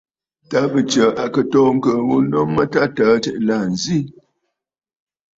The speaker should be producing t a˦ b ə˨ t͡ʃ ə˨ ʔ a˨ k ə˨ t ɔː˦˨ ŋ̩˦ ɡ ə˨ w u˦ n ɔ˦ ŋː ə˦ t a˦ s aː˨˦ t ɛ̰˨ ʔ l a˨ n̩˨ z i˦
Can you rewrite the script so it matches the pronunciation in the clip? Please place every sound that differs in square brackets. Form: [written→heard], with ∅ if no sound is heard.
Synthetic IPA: t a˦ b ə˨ t͡ʃ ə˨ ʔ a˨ k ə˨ t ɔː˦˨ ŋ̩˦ [ɡ→k] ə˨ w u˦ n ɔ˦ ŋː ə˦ t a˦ [s→t] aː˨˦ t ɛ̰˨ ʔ l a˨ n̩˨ z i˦